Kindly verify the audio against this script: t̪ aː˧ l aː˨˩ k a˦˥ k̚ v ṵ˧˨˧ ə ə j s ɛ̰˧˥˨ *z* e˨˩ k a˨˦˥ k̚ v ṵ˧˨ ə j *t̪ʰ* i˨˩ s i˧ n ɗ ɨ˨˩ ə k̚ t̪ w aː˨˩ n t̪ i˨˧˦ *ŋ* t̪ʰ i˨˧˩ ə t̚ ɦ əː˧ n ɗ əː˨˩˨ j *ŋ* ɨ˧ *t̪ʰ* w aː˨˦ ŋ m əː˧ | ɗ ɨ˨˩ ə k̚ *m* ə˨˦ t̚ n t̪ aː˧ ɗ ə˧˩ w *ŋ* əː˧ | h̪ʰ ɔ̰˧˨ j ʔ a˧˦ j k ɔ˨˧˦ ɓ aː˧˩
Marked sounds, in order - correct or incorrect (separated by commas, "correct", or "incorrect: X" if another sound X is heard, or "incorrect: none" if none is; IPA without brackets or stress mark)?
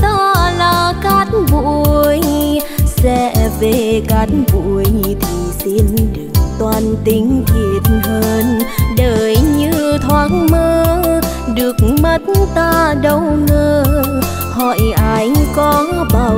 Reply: incorrect: v, correct, correct, incorrect: ɲ, correct, correct, correct